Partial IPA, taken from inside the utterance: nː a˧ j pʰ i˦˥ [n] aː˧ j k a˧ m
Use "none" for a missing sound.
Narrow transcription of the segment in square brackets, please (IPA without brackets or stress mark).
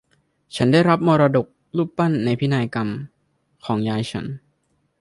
n